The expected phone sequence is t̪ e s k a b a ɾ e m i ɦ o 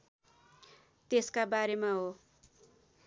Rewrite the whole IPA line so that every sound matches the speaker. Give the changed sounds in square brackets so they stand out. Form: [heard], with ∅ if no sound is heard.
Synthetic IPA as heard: t̪ e s k a b a ɾ e m [a] ɦ o